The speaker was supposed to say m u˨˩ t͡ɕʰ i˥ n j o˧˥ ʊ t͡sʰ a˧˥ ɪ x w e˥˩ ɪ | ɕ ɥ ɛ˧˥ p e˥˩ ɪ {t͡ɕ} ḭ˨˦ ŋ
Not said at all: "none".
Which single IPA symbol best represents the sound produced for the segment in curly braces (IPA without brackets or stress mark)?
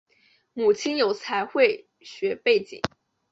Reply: t͡ɕ